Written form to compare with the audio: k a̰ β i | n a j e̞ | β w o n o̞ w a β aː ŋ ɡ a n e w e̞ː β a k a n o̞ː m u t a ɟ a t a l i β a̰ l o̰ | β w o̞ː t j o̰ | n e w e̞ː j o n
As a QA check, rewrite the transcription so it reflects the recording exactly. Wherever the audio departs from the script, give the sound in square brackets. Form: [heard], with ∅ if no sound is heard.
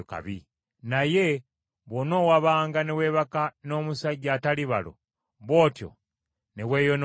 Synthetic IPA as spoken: k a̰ β i | n a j e̞ | β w o n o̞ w a β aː ŋ ɡ a n e w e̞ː β a k a n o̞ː m u [s] a ɟ a t a l i β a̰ l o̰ | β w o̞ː t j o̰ | n e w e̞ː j o n